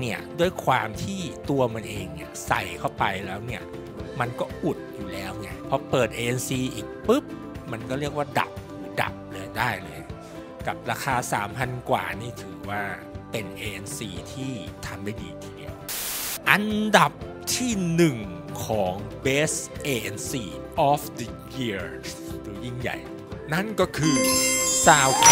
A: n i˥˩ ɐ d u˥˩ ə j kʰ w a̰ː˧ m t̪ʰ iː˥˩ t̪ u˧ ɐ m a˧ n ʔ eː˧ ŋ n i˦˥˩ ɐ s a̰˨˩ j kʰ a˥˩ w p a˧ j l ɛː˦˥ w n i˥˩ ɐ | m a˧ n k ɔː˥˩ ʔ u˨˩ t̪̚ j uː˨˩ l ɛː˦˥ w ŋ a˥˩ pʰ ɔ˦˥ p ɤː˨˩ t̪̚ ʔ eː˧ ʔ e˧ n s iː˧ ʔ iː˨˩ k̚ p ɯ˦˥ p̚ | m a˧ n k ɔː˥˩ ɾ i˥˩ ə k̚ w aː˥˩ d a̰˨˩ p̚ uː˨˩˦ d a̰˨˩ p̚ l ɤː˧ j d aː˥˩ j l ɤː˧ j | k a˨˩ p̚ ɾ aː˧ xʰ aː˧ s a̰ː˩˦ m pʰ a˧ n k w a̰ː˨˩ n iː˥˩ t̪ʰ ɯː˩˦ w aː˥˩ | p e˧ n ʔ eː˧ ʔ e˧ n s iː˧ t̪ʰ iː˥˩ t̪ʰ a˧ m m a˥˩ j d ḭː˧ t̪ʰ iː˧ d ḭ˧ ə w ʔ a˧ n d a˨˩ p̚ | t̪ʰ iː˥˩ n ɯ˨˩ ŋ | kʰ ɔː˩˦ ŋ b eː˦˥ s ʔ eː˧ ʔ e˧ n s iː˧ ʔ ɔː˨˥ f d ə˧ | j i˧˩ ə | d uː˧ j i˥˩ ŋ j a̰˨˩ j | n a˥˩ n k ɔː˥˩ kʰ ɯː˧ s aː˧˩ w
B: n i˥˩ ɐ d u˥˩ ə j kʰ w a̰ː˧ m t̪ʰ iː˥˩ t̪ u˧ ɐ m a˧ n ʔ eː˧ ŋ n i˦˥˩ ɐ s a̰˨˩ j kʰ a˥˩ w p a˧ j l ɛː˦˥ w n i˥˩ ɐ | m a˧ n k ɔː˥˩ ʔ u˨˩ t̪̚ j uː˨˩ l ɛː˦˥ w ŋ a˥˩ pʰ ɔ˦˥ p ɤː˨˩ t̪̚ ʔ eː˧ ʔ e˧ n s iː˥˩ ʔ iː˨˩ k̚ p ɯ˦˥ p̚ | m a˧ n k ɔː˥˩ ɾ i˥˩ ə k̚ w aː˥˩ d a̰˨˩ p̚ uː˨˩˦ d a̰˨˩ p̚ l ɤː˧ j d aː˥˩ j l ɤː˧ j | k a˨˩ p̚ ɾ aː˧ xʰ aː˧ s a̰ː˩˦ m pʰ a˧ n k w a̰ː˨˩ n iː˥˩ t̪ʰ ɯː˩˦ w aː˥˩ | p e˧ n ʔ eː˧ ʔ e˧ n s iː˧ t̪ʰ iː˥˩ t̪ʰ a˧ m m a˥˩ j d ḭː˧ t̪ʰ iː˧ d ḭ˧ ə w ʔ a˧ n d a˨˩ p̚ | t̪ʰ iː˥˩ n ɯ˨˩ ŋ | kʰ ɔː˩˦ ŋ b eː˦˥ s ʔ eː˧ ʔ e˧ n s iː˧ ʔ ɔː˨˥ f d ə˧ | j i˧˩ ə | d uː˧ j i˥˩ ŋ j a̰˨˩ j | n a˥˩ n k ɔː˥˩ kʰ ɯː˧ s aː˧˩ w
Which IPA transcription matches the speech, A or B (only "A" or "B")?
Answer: A